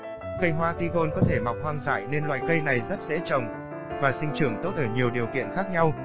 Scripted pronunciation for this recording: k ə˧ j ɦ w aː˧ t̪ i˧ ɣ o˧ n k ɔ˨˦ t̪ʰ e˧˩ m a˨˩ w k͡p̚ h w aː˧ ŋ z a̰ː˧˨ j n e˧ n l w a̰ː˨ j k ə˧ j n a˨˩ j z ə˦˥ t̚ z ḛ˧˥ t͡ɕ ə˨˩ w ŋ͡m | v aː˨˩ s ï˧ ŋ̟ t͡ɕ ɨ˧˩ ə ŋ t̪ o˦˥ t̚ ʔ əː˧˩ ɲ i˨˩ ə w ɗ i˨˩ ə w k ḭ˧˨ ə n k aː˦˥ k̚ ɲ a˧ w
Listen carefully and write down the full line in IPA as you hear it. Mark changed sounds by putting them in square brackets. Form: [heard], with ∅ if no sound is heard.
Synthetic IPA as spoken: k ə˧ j ɦ w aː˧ t̪ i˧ ɣ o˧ n k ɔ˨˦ t̪ʰ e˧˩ m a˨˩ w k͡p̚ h w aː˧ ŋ z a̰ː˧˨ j n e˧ n l w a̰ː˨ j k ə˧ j n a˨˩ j z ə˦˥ t̚ z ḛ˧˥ t͡ɕ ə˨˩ w ŋ͡m | v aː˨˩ s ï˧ ŋ̟ t͡ɕ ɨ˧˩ ə ŋ t̪ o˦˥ t̚ ʔ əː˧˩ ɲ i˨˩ ə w ɗ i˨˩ ə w k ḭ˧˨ ə n [x] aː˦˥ k̚ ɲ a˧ w

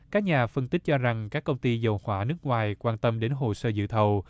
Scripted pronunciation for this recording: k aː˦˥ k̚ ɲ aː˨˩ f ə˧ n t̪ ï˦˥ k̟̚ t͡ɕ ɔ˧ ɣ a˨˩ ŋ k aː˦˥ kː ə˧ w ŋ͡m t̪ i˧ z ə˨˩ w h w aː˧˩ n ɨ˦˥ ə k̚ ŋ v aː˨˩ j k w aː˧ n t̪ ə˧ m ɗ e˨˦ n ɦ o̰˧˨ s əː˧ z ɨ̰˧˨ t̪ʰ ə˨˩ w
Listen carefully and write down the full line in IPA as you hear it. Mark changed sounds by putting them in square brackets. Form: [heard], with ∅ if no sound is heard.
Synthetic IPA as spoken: k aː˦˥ k̚ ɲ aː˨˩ f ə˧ n t̪ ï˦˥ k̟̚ t͡ɕ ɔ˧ [z] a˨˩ ŋ k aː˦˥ kː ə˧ w ŋ͡m t̪ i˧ z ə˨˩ w h w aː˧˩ n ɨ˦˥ ə k̚ ŋ [w] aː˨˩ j k w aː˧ n t̪ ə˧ m ɗ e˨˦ n ɦ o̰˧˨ s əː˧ z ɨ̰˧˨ t̪ʰ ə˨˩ w

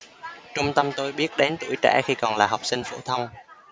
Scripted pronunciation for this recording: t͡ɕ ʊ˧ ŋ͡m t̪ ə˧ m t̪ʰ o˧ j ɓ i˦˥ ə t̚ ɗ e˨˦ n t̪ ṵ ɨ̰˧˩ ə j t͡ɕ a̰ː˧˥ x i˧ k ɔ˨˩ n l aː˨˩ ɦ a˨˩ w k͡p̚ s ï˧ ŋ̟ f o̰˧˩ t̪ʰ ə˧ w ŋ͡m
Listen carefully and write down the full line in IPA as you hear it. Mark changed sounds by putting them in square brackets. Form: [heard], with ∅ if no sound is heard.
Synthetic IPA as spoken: t͡ɕ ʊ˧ ŋ͡m t̪ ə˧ m [t̪] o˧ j ɓ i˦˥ ə t̚ ɗ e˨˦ n t̪ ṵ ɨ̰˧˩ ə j t͡ɕ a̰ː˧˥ x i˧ k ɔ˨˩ n l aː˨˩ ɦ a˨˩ w k͡p̚ s ï˧ ŋ̟ f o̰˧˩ t̪ʰ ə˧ w ŋ͡m

